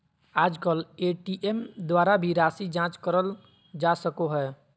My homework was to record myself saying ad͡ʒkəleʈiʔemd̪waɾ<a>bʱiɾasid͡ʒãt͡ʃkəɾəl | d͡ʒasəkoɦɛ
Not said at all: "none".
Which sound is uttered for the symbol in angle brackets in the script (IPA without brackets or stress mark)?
a